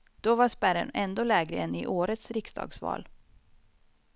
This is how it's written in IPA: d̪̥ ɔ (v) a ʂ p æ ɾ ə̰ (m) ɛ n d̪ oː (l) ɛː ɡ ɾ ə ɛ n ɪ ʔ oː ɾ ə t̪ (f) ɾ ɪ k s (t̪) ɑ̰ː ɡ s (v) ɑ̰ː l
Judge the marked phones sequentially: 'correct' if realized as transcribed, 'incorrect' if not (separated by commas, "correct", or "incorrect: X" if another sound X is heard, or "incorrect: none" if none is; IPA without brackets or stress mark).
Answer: correct, incorrect: n, correct, incorrect: s, incorrect: d̪, correct